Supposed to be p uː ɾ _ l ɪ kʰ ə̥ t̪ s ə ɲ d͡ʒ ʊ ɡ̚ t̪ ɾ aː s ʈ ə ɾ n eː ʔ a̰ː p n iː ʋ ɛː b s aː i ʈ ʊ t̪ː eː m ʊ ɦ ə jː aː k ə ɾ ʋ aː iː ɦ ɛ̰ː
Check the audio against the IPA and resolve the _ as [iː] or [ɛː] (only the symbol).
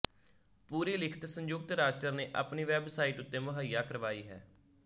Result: iː